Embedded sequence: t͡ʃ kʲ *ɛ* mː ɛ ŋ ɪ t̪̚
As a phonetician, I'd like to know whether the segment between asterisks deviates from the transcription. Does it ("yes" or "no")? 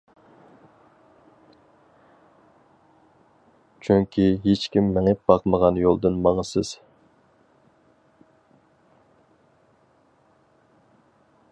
yes